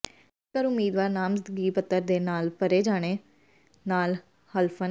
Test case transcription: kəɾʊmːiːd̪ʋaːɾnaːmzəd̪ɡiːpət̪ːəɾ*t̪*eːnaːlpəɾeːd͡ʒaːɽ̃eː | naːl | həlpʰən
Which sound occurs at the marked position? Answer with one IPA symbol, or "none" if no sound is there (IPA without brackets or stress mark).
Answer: d̪